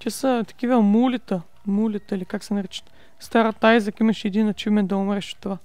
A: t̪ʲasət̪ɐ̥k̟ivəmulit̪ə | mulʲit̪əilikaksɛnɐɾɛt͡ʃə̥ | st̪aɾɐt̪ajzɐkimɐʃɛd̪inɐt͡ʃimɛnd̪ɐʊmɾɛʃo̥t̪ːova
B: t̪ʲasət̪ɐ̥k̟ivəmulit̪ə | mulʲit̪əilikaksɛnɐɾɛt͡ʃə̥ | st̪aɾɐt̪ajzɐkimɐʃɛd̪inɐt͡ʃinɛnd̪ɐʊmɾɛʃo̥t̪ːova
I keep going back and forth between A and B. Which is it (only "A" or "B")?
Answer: A